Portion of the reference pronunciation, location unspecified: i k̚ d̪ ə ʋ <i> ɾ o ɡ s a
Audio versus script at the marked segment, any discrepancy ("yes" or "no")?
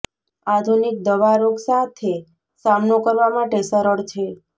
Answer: yes